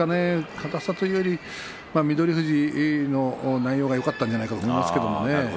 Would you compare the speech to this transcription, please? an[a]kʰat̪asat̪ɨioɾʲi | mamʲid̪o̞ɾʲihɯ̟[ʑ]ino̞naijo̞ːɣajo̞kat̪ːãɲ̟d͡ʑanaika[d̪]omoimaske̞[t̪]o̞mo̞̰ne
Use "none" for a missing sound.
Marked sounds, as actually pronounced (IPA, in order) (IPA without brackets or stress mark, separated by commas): e, ʑ, t̪, d̪